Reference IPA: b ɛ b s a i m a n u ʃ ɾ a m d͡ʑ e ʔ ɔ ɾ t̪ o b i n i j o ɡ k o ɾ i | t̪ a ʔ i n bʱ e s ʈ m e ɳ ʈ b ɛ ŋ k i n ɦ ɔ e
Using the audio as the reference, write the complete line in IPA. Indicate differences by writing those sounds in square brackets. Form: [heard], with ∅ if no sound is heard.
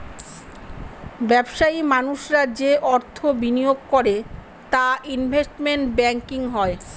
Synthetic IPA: b ɛ b [ʃ] a i m a n u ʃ ɾ a [∅] d͡ʑ e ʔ ɔ ɾ [t̪ʰ] o b i n i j o ɡ k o ɾ [e] | t̪ a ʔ i n bʱ e s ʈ m e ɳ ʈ b ɛ ŋ k i [ŋ] ɦ ɔ e